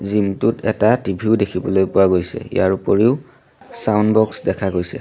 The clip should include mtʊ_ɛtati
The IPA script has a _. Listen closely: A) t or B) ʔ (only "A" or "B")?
A